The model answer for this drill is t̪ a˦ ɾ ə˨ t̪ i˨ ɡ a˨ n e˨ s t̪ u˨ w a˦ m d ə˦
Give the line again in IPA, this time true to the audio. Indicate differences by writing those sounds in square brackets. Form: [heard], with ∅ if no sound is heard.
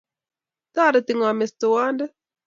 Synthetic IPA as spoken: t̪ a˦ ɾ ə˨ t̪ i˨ [ŋ] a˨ [m] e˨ s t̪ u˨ w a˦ [n] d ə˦

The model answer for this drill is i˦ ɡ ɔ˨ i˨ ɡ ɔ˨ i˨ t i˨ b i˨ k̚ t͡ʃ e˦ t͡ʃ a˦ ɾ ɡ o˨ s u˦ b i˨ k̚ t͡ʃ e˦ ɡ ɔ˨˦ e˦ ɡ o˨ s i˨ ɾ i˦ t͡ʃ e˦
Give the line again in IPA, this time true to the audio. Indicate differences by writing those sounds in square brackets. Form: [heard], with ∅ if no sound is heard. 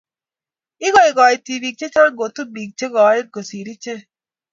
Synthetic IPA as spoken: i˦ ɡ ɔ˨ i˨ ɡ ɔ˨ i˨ t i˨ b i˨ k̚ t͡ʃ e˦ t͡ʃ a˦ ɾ ɡ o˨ [t] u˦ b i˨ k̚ t͡ʃ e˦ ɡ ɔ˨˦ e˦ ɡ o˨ s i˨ ɾ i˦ t͡ʃ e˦

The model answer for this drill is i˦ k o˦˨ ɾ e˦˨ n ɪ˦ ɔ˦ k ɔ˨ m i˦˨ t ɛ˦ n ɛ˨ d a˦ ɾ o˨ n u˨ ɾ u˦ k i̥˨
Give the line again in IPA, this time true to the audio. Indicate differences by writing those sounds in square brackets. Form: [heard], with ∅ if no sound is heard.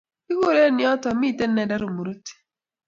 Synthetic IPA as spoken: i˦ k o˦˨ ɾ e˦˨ n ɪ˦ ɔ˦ [t] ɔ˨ m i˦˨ t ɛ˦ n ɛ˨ d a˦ ɾ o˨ [m] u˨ ɾ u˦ [t] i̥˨

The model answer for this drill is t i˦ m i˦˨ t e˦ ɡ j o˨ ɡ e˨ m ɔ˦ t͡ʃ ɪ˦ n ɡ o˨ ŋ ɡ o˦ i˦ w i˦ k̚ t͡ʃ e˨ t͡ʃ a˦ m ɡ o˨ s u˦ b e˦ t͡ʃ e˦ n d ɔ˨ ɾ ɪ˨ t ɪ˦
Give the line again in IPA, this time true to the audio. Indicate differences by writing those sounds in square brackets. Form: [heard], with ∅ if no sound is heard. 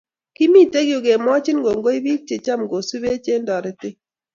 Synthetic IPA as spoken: [k] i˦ m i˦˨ t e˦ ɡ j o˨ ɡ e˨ m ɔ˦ t͡ʃ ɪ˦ n ɡ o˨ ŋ ɡ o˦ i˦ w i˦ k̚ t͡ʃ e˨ t͡ʃ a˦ m ɡ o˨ s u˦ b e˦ t͡ʃ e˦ n d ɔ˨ ɾ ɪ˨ t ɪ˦

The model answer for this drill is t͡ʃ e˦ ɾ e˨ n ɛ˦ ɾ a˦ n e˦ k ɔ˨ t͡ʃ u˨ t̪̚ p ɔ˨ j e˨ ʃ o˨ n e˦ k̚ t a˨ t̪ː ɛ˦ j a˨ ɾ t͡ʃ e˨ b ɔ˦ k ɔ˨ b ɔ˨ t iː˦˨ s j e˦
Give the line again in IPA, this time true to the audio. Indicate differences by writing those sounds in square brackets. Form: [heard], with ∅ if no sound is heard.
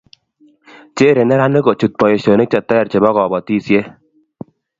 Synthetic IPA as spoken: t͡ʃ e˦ ɾ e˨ n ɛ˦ ɾ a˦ n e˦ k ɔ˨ t͡ʃ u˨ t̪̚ p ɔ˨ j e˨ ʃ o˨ n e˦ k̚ [t͡ʃ] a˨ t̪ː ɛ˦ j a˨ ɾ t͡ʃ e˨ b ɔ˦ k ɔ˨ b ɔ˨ t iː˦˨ s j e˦

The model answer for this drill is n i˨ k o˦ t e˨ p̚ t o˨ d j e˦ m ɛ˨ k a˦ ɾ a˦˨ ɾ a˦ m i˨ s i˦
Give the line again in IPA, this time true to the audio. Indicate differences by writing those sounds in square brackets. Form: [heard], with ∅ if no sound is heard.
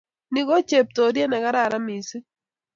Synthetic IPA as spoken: n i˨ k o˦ [t͡ʃ] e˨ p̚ t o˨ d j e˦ [n] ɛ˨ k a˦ ɾ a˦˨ ɾ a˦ m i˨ s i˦

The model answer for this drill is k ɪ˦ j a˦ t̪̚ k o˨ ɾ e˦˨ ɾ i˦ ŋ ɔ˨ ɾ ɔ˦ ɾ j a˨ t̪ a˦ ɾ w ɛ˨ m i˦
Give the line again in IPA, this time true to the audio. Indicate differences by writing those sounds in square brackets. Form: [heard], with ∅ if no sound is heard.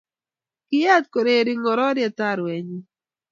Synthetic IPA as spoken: k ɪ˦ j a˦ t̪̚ k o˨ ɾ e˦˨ ɾ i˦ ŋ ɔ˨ ɾ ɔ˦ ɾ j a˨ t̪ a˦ ɾ w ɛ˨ [ɲ] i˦

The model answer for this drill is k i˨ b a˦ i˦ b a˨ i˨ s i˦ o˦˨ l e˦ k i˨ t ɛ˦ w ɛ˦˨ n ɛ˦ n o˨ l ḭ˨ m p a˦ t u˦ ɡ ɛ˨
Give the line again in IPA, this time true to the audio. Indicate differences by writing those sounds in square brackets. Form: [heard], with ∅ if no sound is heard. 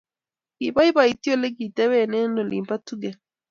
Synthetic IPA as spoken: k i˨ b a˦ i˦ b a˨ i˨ [t] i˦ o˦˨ l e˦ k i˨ t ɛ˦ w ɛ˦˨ n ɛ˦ n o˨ l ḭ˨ m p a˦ t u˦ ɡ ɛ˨

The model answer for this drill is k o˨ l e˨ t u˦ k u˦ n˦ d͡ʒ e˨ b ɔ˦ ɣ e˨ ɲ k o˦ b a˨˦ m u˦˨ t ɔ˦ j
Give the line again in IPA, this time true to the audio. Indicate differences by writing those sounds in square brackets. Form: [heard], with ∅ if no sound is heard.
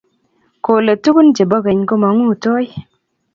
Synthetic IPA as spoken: k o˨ l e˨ t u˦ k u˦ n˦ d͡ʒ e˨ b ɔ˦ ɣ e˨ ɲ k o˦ [m] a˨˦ [ŋ] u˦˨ t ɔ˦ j

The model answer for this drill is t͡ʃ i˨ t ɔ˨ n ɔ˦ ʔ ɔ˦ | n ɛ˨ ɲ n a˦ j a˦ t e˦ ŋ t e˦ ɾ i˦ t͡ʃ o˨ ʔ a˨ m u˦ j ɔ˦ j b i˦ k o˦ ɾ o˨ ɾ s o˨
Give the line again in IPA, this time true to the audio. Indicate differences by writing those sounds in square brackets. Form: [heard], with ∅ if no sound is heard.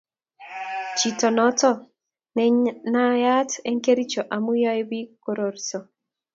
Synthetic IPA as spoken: t͡ʃ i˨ t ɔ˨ n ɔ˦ [t] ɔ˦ | n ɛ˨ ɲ n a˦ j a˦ t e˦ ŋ [k] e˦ ɾ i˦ t͡ʃ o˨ ʔ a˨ m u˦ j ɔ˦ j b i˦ k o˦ ɾ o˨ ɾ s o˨

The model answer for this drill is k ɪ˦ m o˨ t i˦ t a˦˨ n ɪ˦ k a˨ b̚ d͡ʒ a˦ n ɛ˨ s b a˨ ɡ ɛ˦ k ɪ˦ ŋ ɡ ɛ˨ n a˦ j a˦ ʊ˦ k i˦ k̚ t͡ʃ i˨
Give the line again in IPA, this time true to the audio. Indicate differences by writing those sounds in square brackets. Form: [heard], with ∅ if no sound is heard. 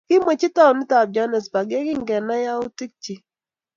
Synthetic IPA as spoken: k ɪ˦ m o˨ [t͡ʃ] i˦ t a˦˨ n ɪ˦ [t] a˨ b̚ d͡ʒ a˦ n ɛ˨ s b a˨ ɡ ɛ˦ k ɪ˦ ŋ ɡ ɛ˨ n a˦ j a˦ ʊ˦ [t] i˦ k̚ t͡ʃ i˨

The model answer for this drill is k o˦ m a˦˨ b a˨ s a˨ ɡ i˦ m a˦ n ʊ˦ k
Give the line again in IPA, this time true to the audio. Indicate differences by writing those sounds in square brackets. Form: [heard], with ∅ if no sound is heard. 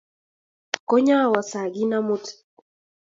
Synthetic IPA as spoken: k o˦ [ɲ] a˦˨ [w] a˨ s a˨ ɡ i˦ [n] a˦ [m] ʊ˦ [t]

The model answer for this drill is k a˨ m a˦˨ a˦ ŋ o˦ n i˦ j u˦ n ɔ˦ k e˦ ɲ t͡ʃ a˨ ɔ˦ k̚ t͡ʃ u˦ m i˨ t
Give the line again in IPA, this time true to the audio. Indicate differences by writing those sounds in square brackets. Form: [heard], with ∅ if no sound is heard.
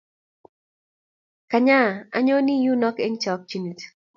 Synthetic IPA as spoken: k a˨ [ɲ] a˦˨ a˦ [ɲ] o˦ n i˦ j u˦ n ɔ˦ k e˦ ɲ t͡ʃ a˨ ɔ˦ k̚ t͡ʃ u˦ [n] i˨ t

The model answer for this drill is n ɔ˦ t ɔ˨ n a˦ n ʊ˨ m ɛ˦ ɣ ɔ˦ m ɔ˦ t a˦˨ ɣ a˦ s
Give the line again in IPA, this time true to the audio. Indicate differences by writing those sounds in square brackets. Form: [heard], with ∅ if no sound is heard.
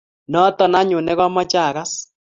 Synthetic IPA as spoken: n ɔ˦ t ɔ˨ n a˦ [ɲ] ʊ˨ [n] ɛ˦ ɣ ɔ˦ m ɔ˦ [t͡ʃ] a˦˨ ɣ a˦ s

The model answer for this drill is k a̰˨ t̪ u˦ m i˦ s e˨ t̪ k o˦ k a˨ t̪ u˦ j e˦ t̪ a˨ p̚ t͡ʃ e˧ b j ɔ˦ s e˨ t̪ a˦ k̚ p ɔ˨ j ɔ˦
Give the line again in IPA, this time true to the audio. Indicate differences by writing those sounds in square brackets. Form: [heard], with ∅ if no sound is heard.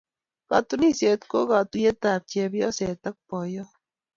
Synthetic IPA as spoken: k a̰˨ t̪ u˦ [n] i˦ s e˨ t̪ k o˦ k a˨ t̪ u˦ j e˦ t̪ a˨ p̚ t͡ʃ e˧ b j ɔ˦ s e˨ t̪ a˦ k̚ p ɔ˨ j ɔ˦

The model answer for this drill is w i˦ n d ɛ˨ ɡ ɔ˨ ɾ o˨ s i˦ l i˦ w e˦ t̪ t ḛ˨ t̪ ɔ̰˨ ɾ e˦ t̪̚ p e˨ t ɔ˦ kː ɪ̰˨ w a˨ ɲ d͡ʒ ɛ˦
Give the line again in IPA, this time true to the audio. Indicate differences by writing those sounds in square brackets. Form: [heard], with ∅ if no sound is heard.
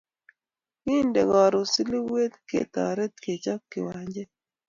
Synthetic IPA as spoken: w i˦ n d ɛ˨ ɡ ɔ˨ ɾ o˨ s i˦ l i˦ w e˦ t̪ [k] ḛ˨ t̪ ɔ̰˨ ɾ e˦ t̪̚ [k] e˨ [t͡ʃ] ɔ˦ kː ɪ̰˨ w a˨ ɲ d͡ʒ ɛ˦

